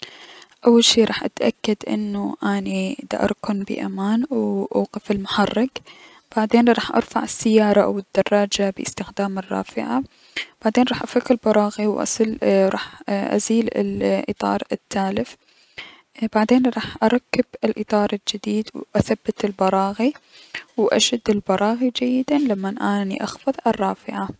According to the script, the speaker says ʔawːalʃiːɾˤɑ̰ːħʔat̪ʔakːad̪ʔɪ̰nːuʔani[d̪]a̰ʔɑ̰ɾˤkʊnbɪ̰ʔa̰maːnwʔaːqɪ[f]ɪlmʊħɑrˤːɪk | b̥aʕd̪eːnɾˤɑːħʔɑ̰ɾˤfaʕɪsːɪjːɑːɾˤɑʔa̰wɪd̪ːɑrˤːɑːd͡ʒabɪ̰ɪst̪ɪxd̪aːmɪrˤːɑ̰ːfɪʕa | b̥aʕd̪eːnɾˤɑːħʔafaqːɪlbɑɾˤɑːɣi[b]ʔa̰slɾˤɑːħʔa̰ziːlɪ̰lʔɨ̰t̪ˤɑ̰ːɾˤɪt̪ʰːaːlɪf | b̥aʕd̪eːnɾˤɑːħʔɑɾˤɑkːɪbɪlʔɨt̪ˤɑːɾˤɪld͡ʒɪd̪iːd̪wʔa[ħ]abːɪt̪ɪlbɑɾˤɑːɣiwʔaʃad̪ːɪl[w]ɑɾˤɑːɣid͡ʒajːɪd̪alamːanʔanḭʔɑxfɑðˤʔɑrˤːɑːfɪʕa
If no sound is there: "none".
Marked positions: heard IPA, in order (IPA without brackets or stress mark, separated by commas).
d̪, f, w, θ, b